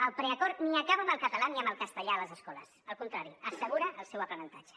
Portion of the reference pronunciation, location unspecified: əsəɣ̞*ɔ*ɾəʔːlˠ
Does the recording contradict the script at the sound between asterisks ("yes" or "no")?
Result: yes